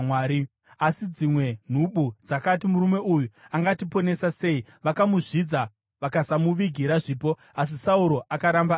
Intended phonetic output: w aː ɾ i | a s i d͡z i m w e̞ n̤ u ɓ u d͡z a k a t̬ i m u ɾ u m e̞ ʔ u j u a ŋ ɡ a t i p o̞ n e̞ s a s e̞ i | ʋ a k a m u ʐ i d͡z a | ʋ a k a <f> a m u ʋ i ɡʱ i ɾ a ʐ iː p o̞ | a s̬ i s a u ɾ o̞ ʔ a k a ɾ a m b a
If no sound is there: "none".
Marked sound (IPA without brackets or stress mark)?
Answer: s